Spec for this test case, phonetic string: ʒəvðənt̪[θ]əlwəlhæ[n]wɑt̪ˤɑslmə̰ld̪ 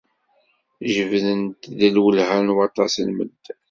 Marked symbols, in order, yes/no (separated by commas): no, yes